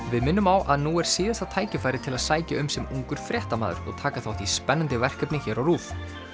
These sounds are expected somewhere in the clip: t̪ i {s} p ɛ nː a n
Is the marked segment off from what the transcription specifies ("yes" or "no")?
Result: no